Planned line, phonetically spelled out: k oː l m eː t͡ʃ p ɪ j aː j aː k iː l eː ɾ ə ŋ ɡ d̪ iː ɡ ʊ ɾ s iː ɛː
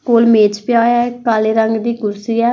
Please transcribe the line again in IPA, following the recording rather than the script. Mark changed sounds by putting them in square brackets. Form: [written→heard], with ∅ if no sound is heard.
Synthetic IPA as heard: k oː l m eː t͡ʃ p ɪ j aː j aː k [iː→aː] l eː ɾ ə ŋ ɡ d̪ iː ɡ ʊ ɾ s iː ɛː